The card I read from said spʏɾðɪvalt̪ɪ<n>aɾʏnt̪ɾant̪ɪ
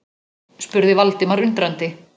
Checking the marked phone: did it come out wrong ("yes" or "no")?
yes